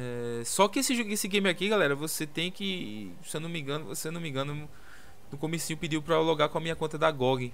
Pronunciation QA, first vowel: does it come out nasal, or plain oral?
oral